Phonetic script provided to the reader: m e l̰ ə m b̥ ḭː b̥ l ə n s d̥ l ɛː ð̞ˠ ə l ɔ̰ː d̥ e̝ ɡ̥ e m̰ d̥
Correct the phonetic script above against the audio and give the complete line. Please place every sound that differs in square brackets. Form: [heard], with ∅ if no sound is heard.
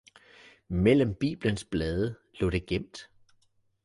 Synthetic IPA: m e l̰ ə m b̥ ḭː b̥ l ə n s [b̥] l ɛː ð̞ˠ ə l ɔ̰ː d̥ e̝ ɡ̥ e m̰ d̥